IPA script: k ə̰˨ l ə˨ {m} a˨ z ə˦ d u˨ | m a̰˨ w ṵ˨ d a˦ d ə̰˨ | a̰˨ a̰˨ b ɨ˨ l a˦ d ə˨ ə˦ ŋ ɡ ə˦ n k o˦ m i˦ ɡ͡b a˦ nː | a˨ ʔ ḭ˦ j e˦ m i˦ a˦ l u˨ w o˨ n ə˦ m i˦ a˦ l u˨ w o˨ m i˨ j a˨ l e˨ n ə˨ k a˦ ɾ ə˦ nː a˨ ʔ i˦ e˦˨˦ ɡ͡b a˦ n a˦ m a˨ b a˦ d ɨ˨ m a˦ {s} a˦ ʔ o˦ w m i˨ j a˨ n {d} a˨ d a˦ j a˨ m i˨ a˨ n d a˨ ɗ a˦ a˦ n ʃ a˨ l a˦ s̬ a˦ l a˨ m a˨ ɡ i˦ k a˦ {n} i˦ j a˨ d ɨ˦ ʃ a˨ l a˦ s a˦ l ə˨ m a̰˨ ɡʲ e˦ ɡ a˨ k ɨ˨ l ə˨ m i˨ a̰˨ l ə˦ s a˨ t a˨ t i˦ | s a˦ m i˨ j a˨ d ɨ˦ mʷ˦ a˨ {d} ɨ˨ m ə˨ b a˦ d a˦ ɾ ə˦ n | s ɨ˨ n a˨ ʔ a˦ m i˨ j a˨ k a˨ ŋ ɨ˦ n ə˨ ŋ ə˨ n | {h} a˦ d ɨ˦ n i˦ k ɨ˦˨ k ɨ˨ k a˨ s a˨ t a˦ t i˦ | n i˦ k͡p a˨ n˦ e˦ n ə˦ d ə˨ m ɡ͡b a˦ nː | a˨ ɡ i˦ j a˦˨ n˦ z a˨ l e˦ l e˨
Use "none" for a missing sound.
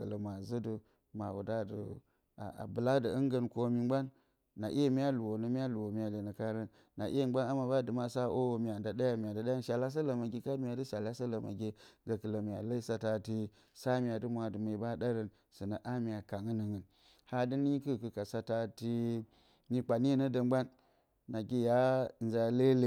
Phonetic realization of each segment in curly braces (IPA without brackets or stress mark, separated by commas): m, s, d, m, d, h